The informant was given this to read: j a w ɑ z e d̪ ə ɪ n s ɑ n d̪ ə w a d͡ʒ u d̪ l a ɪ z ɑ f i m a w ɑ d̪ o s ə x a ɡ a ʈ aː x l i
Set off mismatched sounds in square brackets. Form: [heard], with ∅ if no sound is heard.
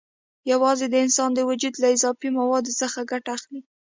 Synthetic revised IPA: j a w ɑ z e d̪ ə ɪ n s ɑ n d̪ ə w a d͡ʒ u d̪ l a ɪ z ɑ f i m a w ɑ d̪ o s ə x a ɡ a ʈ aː x l i